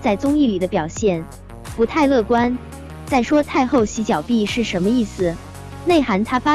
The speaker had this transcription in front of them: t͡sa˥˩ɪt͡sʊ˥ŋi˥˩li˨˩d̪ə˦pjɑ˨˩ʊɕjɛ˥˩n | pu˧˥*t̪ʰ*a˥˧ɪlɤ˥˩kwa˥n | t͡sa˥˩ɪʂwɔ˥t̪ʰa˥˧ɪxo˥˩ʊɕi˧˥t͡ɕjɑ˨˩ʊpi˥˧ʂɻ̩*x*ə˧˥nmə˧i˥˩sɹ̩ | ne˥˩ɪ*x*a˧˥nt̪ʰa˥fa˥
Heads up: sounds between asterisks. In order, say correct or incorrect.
correct, incorrect: ʂ, correct

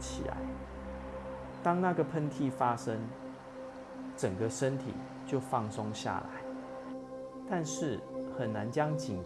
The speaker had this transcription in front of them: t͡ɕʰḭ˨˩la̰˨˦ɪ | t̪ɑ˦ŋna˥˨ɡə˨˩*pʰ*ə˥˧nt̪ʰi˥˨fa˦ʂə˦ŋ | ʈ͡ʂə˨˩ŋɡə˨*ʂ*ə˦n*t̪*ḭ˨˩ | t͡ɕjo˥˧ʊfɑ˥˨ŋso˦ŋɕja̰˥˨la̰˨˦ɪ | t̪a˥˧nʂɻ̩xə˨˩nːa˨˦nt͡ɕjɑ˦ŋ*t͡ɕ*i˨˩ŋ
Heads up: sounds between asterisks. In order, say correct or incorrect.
correct, correct, incorrect: t̪ʰ, correct

